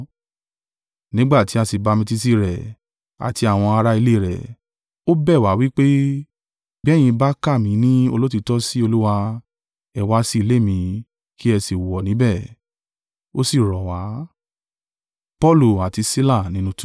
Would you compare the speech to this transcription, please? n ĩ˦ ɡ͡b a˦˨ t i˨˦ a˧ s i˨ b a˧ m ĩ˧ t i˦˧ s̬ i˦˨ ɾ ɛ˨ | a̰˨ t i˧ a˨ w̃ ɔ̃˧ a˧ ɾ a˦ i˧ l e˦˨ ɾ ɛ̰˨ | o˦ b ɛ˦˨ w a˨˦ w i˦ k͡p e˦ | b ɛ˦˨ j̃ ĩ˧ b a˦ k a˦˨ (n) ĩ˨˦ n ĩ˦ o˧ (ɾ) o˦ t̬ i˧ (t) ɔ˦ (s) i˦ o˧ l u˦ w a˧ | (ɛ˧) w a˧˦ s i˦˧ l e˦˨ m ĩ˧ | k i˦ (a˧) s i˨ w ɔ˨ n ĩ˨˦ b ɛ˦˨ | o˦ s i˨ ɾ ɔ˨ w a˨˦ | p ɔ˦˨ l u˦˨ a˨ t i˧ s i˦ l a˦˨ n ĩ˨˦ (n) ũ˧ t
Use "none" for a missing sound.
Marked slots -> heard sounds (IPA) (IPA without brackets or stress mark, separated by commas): m, l, t, s, ɛ˧, ɛ˧, n